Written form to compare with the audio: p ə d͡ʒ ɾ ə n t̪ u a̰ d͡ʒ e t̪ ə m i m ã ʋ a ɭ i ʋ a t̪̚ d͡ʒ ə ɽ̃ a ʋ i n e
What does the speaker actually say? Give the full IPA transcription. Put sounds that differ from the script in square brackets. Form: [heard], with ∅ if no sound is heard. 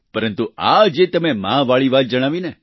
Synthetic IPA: p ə [∅] ɾ ə n t̪ u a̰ d͡ʒ e t̪ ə m [e] m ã ʋ a ɭ i ʋ a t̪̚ d͡ʒ ə ɽ̃ a ʋ i n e